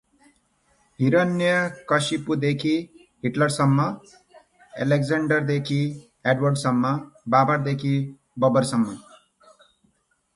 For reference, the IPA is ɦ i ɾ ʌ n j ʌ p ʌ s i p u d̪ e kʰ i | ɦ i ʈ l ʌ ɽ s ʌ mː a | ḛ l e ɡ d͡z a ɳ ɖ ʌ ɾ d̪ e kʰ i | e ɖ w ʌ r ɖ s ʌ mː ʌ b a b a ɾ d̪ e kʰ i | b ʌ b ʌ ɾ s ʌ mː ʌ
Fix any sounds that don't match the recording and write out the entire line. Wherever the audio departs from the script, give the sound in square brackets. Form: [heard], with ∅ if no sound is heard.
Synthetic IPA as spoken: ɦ i ɾ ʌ n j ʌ [k] ʌ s i p u d̪ e kʰ i | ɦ i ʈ l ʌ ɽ s ʌ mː [ʌ] | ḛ l e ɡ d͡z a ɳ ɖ ʌ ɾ d̪ e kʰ i | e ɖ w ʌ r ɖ s ʌ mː ʌ b a b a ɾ d̪ e kʰ i | b ʌ b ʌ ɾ s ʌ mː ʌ